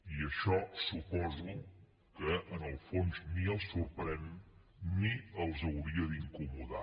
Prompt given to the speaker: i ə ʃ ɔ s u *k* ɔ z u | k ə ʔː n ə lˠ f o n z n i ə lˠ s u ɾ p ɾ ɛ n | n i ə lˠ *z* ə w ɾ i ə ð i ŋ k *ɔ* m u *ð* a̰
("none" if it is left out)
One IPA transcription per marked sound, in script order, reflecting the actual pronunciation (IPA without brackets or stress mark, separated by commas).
p, z, u, ð